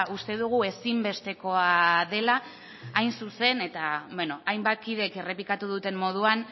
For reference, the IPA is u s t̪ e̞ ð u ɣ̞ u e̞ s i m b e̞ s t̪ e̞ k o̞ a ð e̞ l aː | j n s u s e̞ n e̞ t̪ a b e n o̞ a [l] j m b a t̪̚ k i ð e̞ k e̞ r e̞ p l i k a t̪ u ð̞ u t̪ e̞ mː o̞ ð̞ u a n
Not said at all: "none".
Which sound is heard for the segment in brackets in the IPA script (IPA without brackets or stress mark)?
none